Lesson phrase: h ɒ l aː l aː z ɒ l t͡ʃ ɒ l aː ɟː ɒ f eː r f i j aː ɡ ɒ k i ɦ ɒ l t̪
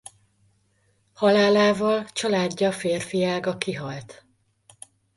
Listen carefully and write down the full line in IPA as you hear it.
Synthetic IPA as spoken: h ɒ l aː l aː v ɒ l t͡ʃ ɒ l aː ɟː ɒ f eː r f i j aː ɡ ɒ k i ɦ ɒ l t̪